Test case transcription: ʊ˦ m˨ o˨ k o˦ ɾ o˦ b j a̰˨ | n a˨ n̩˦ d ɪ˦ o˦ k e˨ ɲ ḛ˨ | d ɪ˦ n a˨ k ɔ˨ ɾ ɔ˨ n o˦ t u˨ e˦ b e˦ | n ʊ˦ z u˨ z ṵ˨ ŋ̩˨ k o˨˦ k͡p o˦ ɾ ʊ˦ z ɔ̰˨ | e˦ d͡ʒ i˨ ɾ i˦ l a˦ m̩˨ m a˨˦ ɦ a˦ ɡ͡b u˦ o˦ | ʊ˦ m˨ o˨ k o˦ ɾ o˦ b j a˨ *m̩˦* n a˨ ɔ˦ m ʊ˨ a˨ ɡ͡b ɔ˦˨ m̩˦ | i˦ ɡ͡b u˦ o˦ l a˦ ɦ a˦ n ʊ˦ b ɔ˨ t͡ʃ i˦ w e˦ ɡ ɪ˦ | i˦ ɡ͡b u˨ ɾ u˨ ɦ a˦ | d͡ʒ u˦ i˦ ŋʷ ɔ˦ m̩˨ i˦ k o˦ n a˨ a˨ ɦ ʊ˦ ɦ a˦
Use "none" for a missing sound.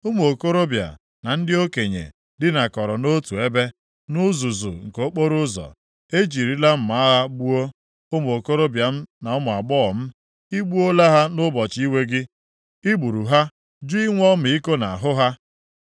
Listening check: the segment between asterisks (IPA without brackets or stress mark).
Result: m̩˦